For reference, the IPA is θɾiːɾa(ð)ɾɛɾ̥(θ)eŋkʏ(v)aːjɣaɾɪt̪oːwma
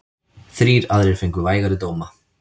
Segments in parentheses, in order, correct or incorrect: correct, incorrect, correct

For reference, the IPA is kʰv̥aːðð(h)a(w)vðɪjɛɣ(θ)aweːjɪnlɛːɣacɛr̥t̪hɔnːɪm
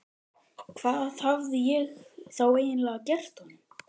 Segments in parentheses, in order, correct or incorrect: correct, incorrect, correct

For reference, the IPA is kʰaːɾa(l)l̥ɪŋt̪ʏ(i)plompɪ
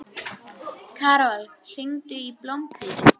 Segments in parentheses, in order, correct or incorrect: correct, correct

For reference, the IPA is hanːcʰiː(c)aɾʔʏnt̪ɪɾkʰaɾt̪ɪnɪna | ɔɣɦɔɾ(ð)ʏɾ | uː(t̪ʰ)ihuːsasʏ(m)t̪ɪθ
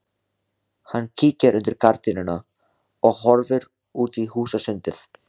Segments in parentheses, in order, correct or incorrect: correct, incorrect, incorrect, incorrect

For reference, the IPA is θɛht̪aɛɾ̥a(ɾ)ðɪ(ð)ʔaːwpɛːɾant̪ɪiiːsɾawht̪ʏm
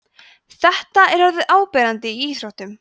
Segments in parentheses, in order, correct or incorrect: correct, correct

